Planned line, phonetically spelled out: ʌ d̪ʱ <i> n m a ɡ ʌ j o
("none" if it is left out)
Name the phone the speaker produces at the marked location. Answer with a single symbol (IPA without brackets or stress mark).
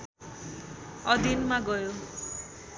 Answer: i